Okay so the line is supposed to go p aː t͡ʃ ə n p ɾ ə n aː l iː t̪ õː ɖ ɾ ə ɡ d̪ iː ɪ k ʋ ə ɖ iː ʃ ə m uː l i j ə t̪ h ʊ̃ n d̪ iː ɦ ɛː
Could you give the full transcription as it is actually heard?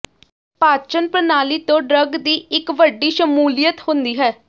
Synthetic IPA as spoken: p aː t͡ʃ ə n p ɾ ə n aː l iː t̪ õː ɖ ɾ ə ɡ d̪ iː ɪ k ʋ ə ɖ iː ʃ ə m uː l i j ə t̪ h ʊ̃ n d̪ iː ɦ ɛː